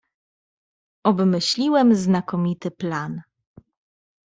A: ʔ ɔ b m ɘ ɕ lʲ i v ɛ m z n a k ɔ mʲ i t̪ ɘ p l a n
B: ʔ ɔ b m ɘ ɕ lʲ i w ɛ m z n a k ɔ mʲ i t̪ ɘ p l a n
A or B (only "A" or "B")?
B